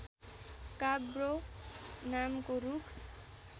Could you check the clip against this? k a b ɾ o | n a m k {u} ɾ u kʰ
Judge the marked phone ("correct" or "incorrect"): incorrect